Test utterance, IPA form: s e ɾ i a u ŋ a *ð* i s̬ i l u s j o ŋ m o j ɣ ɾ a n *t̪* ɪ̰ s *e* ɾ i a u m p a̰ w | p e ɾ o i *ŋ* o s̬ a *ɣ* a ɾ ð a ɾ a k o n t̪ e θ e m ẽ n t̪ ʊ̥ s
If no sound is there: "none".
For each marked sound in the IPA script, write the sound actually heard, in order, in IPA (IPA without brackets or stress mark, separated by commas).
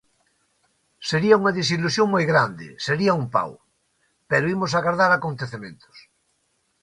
ð, d̪, e, m, ɣ